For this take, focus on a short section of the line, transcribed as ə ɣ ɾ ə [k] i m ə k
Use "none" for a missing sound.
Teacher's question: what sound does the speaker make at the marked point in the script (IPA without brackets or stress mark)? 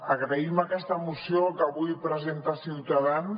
none